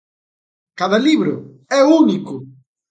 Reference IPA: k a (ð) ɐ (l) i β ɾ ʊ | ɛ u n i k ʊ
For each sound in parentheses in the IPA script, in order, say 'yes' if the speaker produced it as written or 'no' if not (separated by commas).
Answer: yes, yes